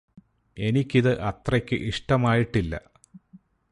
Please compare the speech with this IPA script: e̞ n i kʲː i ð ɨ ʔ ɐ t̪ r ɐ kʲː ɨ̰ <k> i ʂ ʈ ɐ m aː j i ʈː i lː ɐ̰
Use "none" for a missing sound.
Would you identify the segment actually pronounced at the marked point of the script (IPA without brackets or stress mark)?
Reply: ʔ